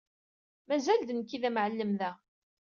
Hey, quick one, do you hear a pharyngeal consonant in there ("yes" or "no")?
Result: yes